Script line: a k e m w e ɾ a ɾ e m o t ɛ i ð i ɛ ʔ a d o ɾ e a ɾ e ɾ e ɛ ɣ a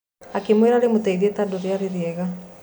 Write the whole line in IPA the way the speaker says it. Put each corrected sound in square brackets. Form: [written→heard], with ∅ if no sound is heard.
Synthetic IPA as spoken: a k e m w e ɾ a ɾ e m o t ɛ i ð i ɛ [ʔ→t] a d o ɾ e a ɾ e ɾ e ɛ ɣ a